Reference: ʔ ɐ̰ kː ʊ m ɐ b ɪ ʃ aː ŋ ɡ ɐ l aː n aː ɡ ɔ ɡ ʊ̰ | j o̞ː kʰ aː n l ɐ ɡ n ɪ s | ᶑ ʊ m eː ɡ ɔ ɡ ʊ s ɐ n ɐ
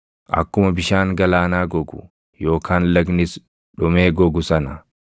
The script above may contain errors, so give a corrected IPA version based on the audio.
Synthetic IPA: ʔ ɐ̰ kː ʊ m ɐ b ɪ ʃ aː ŋ ɡ ɐ l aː n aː ɡ ɔ ɡ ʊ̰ | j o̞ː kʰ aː n l ɐ ɡ n ɪ s | ᶑ ʊ m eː ɡ ɔ ɡ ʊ s ɐ n ɐ